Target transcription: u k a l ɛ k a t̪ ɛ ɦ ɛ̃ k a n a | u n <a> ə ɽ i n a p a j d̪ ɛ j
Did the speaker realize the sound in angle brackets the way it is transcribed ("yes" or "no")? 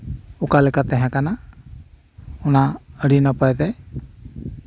yes